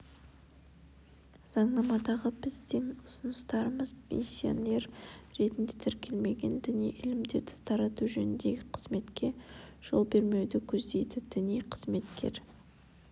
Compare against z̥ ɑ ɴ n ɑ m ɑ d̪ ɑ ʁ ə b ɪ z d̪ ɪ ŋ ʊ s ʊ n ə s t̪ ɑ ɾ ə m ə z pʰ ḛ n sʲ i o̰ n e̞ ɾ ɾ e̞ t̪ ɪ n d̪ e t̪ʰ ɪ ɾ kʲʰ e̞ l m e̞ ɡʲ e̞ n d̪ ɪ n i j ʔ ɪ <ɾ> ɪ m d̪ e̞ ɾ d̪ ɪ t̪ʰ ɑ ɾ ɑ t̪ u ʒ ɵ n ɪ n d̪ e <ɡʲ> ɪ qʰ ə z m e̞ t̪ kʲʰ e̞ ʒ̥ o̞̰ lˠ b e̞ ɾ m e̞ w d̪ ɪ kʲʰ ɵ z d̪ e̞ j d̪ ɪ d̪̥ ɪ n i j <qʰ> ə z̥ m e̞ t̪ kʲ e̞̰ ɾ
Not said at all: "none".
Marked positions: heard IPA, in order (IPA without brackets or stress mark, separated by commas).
l, ɡʲ, qʰ